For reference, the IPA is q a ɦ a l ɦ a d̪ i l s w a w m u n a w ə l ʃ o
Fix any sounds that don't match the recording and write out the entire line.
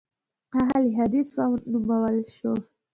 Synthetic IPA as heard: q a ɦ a l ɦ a d̪ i s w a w n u m a w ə l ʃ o